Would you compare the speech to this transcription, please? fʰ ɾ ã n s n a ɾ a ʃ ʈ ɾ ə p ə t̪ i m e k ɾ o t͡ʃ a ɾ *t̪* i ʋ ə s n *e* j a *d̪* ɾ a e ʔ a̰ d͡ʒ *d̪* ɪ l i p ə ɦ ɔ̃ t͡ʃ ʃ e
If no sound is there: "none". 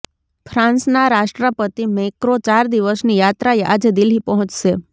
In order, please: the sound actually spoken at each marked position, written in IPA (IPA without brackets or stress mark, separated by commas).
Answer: d̪, i, t̪, d̪